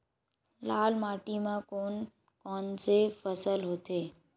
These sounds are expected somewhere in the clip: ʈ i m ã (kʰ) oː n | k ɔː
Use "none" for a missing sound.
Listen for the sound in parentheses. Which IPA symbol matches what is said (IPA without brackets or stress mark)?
k